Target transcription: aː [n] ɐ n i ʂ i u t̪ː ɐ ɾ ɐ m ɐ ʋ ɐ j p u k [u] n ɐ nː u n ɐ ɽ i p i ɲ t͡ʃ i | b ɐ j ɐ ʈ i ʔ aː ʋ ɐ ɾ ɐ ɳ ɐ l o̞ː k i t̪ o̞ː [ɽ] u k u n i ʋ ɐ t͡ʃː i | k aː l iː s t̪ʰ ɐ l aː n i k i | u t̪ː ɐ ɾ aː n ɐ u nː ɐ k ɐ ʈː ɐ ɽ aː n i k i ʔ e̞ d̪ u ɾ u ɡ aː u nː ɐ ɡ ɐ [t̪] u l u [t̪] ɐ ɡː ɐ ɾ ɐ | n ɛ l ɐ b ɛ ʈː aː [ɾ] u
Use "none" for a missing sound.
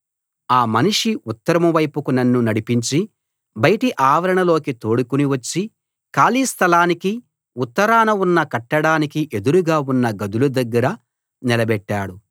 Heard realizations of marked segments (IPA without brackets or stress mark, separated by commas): m, u, ɽ, d̪, d̪, ɽ